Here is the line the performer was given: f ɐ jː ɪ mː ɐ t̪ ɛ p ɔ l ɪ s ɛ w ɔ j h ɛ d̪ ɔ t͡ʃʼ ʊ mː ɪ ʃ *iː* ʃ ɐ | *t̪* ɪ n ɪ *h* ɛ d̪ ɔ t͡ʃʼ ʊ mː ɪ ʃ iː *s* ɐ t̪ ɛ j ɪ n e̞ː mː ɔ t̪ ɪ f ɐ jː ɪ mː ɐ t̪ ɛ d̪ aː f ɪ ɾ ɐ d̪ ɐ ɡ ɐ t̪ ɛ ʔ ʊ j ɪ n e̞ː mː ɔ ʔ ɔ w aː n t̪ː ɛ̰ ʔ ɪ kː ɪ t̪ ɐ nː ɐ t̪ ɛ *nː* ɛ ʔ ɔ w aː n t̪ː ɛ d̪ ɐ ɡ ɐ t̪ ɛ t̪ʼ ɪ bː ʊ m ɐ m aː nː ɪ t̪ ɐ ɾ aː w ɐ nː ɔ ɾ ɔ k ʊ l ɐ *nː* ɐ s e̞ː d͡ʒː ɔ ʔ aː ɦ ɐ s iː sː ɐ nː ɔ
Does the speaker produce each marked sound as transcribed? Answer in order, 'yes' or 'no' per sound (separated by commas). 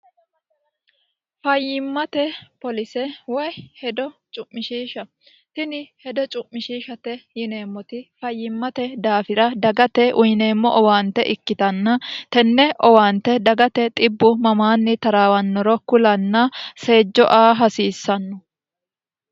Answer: yes, yes, yes, no, yes, yes